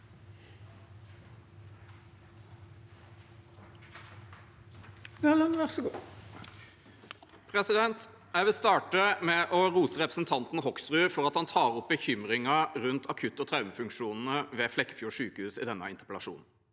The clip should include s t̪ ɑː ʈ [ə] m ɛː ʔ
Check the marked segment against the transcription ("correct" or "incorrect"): correct